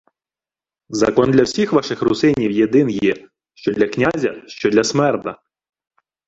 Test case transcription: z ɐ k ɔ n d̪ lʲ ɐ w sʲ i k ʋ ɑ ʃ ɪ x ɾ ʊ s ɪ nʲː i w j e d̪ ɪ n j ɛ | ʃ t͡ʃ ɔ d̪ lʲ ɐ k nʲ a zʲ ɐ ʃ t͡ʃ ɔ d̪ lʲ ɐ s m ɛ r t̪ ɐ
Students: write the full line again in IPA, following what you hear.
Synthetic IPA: z ɐ k ɔ n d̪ lʲ ɐ w sʲ i x ʋ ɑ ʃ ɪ x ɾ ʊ s ɪ nʲ i w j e d̪ ɪ n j ɛ | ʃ t͡ʃ ɔ d̪ lʲ ɐ k nʲ a zʲ ɐ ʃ t͡ʃ ɔ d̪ lʲ ɐ s m ɛ r t̪ ɐ